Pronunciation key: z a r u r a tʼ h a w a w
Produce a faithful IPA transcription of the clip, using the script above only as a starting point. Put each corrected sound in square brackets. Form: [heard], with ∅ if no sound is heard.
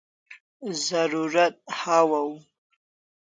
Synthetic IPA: z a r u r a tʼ [ħ] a w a w